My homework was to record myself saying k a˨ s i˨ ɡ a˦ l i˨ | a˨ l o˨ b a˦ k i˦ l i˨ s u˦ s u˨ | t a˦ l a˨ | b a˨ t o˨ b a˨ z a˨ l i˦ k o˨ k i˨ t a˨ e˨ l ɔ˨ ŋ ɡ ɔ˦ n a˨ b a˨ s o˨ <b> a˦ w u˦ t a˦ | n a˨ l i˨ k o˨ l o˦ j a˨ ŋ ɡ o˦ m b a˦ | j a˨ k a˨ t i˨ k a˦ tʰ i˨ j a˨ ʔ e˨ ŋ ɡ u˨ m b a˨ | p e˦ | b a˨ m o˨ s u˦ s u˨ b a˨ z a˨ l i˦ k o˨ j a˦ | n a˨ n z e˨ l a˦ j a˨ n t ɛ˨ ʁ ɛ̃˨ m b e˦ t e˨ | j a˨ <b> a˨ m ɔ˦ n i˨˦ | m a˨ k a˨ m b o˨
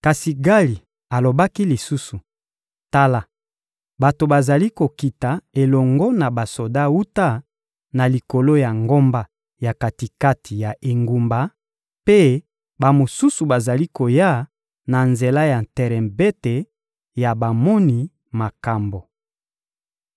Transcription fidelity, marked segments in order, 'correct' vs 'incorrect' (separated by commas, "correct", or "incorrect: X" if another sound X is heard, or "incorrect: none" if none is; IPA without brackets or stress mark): incorrect: d, correct